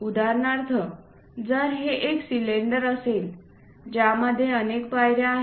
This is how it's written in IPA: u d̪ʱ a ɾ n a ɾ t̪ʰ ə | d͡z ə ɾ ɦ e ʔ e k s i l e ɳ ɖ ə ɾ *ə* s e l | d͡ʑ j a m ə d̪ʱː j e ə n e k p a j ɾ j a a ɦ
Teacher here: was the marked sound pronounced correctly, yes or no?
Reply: yes